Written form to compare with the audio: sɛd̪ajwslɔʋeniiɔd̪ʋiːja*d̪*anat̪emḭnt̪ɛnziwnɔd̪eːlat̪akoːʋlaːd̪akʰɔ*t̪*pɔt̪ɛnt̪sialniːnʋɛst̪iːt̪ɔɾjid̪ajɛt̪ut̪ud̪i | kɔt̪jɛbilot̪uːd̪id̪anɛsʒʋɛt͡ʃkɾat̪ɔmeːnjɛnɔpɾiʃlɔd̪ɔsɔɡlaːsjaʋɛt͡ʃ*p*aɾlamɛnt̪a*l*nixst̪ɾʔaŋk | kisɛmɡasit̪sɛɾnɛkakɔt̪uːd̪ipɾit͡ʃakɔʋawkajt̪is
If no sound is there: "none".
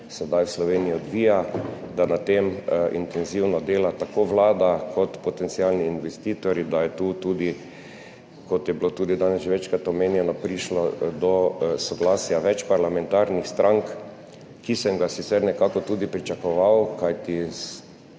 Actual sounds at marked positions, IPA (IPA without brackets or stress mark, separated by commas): d̪, t̪, p, ɾ